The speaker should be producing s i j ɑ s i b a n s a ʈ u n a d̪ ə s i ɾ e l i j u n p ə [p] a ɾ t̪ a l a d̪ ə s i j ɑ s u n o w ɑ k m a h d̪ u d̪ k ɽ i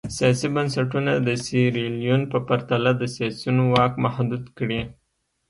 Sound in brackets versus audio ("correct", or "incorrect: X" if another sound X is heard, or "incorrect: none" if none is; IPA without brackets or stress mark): correct